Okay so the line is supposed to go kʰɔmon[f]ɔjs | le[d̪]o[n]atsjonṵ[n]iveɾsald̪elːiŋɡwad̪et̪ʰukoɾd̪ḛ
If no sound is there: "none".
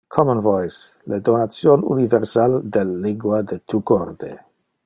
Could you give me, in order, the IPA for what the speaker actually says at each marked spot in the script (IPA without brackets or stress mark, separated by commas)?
v, d̪, n, n